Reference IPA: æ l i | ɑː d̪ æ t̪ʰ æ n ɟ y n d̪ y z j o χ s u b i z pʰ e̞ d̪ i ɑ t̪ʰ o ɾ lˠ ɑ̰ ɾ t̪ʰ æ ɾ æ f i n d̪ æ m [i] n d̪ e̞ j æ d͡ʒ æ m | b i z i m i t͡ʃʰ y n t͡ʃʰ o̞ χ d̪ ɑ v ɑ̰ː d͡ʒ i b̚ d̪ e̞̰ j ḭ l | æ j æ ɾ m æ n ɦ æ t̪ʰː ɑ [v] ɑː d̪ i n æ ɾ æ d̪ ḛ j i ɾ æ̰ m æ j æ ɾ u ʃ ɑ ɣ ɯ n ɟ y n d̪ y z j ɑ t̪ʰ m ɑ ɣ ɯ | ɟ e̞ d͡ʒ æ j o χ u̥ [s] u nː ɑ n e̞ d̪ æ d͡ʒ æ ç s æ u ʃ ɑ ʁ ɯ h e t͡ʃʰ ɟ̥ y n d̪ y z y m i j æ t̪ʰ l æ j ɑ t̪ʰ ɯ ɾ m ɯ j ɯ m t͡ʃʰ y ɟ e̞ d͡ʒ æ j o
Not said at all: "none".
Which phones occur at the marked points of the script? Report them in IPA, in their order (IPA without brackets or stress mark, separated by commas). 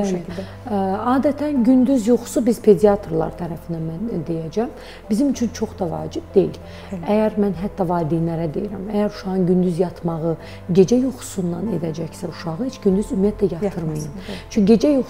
æ, v, s